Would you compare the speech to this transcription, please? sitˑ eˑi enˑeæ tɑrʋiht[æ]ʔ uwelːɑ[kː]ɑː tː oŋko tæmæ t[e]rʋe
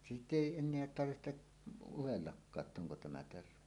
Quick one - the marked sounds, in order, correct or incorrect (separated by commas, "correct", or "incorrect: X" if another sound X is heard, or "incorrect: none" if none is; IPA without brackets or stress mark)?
incorrect: e, correct, correct